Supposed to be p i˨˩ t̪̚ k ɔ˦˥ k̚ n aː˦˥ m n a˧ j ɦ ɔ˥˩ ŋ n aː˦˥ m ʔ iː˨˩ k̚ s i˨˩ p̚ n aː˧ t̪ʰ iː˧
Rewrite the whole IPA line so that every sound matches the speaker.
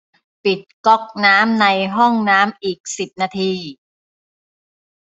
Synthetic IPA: p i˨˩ t̪̚ k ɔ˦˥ k̚ n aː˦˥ m n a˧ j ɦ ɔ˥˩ ŋ n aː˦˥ m ʔ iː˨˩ k̚ s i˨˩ p̚ n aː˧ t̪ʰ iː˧